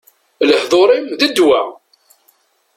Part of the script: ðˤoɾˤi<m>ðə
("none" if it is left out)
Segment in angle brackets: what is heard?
m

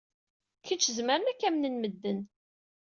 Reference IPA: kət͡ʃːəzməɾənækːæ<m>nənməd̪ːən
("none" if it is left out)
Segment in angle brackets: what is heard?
m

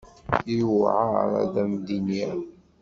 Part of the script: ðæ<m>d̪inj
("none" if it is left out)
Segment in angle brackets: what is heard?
m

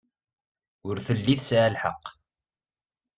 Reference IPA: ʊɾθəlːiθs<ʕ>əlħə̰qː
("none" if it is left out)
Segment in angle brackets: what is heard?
ʕ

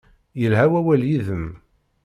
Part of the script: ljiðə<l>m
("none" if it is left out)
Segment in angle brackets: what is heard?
none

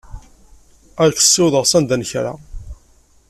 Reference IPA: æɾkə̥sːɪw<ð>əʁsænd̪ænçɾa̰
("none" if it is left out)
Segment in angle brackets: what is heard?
ð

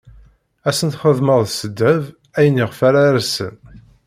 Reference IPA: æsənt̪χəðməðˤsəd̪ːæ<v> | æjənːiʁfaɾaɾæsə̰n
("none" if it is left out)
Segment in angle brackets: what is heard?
v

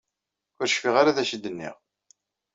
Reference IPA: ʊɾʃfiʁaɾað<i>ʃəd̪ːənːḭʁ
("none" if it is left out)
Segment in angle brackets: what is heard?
æ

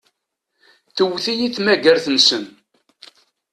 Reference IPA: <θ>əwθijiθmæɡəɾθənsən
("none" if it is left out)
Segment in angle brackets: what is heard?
θ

